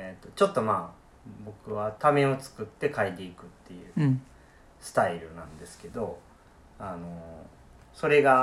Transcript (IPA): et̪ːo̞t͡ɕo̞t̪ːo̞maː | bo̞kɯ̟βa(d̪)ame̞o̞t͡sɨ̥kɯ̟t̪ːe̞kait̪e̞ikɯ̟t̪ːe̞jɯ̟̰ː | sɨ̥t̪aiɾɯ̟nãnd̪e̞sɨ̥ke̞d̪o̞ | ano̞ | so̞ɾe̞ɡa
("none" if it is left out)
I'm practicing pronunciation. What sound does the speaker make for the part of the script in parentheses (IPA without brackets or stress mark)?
t̪